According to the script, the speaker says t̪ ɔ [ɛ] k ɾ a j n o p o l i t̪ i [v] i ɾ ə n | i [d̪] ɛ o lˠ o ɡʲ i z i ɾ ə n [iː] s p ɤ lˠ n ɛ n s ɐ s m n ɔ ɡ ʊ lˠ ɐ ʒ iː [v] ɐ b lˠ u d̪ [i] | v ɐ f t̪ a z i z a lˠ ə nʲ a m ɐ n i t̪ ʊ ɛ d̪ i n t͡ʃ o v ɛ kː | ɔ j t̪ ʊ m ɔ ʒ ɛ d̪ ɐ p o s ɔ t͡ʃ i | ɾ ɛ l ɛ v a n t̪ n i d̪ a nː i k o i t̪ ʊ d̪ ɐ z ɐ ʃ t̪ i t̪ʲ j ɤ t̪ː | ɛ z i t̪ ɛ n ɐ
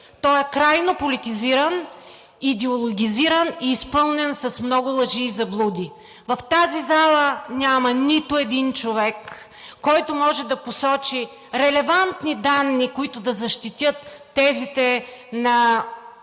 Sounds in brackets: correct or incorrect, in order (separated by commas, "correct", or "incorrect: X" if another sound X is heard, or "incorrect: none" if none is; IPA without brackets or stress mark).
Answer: correct, incorrect: z, correct, correct, incorrect: z, correct